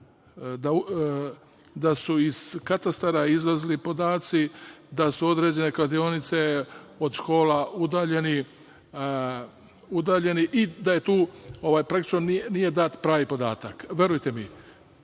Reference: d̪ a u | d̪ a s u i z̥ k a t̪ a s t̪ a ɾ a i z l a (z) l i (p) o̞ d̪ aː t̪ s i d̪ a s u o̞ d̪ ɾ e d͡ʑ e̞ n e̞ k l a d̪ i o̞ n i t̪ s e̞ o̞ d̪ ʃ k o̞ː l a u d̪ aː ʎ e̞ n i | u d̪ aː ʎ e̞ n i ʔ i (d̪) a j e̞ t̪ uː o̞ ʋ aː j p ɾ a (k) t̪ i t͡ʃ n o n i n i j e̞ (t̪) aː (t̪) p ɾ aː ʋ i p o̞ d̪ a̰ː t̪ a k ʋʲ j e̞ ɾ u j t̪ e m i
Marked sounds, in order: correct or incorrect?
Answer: correct, correct, correct, correct, incorrect: d̪, correct

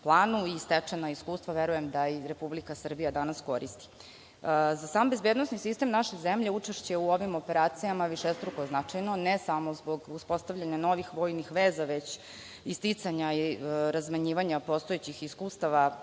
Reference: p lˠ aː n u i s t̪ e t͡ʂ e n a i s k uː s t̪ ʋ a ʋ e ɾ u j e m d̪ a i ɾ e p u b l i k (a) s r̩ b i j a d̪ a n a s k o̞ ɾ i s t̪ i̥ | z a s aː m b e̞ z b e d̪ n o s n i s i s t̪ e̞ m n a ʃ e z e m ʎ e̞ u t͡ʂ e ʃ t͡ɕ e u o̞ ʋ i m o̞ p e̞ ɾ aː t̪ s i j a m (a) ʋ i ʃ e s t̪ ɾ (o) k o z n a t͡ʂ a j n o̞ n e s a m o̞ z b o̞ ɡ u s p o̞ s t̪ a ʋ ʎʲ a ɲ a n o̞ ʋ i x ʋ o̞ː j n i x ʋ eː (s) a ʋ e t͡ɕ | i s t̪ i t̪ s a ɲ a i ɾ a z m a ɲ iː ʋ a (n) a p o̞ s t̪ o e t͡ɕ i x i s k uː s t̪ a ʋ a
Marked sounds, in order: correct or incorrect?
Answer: correct, correct, incorrect: u, incorrect: z, incorrect: ɲ

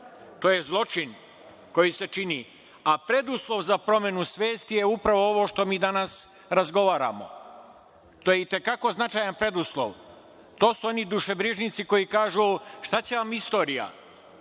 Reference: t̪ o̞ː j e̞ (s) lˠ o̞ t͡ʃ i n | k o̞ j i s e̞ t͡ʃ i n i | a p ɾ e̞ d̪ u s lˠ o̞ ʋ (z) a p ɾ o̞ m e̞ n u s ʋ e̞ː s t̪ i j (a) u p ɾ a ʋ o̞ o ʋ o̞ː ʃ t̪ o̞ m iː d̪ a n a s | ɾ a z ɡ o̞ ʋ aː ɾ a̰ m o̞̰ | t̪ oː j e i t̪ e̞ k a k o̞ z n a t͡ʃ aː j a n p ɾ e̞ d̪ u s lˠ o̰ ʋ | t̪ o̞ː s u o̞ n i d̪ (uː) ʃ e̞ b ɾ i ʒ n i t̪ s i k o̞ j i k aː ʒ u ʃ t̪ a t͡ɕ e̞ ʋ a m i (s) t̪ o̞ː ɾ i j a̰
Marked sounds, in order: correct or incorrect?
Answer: incorrect: z, correct, incorrect: e, incorrect: u, correct

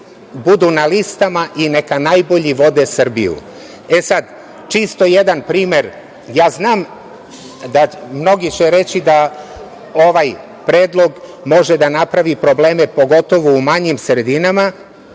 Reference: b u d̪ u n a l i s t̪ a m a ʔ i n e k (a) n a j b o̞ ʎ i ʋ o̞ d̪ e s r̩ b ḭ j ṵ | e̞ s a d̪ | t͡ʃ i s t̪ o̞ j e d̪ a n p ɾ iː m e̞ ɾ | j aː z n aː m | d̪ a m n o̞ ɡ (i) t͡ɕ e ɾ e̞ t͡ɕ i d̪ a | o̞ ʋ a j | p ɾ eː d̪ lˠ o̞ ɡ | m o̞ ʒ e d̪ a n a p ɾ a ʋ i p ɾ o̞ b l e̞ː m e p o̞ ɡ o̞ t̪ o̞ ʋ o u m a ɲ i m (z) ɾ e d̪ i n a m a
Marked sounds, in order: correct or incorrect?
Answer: correct, correct, incorrect: s

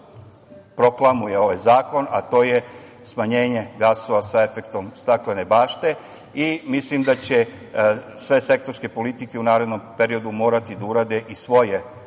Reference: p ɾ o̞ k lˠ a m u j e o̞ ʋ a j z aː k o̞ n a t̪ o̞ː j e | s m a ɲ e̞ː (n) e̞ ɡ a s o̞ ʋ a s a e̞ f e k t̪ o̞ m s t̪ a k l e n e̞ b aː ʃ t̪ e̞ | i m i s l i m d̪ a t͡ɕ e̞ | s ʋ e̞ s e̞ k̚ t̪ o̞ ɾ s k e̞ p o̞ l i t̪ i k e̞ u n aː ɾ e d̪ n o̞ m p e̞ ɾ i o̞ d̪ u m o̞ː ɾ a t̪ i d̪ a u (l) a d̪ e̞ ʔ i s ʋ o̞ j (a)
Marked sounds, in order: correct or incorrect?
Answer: incorrect: ɲ, incorrect: ɾ, incorrect: e

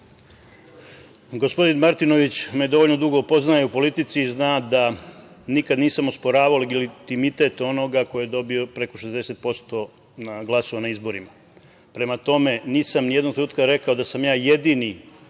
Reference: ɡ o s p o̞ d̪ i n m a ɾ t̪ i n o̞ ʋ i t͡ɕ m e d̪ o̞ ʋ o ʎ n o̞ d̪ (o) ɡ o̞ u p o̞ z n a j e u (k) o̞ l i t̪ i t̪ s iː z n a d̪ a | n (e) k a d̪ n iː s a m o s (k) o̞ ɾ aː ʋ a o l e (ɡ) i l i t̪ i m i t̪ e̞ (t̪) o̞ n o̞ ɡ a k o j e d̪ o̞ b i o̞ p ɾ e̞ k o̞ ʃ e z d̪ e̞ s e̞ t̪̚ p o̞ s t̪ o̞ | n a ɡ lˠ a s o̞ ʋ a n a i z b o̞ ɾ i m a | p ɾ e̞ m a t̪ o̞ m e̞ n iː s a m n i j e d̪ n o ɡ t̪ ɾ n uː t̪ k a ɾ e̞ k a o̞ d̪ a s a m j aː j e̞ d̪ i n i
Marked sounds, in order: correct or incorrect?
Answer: incorrect: u, incorrect: p, incorrect: i, incorrect: p, correct, correct

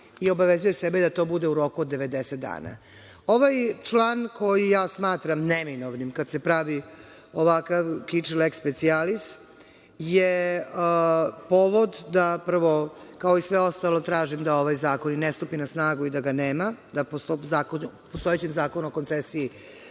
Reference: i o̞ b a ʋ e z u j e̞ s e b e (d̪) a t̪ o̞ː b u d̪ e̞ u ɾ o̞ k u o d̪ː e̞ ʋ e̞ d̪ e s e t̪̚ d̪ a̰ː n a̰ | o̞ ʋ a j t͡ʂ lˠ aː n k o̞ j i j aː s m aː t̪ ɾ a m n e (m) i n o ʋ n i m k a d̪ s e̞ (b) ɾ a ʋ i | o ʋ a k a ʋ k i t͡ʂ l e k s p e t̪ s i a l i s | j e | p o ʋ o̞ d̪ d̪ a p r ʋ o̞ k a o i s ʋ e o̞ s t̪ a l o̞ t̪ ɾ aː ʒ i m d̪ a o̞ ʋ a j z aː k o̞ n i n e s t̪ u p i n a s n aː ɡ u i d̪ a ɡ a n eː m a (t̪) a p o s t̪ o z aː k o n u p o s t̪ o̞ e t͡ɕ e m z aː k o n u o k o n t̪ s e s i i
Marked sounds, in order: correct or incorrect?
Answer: correct, correct, incorrect: p, incorrect: d̪

